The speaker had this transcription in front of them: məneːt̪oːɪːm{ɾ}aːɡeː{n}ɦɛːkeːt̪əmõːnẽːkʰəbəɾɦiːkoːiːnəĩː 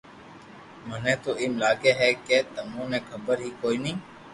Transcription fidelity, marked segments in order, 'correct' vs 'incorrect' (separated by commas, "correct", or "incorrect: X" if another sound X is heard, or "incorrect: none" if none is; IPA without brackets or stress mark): incorrect: l, incorrect: none